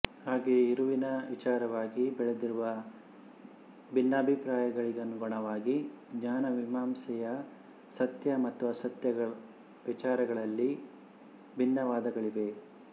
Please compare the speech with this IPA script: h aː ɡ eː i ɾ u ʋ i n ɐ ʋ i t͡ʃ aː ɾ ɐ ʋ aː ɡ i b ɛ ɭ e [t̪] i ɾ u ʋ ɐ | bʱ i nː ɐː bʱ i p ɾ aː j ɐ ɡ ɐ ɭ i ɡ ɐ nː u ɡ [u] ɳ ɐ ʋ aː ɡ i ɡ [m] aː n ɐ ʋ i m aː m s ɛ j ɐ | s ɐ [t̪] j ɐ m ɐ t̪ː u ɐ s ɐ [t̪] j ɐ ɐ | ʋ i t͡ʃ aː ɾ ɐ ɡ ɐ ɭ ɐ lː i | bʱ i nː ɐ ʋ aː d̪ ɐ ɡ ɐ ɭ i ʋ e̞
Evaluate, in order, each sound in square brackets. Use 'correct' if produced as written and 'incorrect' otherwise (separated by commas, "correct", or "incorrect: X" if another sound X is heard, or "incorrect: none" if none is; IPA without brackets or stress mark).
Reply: incorrect: d̪, incorrect: ɔ, incorrect: ɲ, correct, correct